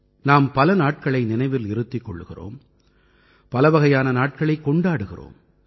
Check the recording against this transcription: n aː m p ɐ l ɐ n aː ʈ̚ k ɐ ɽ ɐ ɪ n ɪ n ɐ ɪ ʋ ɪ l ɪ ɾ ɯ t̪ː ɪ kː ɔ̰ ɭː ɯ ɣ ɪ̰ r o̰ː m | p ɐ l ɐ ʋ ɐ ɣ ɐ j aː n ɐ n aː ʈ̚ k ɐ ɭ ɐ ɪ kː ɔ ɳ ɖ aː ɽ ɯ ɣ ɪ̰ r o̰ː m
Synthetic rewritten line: n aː m p ɐ l ɐ n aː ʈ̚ k ɐ ɭ ɐ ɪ n ɪ n ɐ ɪ ʋ ɪ l ɪ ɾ ɯ t̪ː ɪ kː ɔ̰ ɭː ɯ ɣ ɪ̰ r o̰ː m | p ɐ l ɐ ʋ ɐ ɣ ɐ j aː n ɐ n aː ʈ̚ k ɐ ɭ ɐ ɪ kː ɔ ɳ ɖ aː ɽ ɯ ɣ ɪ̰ r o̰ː m